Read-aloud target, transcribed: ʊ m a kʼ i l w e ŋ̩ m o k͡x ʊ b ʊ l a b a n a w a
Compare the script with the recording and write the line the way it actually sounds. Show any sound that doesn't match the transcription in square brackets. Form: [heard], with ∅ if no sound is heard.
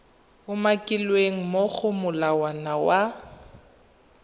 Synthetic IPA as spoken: ʊ m a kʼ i l w e ŋ̩ m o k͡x ʊ [m] ʊ l a [w] a n a w a